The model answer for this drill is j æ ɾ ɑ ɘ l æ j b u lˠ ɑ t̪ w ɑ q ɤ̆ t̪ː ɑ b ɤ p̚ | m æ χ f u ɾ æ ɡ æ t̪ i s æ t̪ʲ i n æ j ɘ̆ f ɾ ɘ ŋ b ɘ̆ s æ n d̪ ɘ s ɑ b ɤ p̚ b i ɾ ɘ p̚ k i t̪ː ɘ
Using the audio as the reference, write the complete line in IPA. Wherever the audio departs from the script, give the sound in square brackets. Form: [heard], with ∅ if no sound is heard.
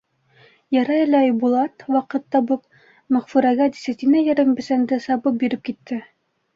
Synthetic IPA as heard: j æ ɾ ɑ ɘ l æ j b u lˠ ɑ t̪ w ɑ q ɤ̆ t̪ː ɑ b ɤ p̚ | m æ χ f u ɾ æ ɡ æ [d̪] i s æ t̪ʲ i n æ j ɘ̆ [∅] ɾ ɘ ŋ b ɘ̆ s æ n d̪ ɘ s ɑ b ɤ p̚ b i ɾ ɘ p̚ k i t̪ː ɘ